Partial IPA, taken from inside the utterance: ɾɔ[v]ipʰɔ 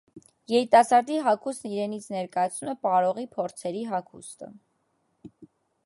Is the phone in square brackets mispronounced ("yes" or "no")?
yes